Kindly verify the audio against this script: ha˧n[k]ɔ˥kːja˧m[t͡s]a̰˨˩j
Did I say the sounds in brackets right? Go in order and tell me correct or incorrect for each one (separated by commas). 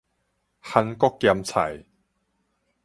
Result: correct, incorrect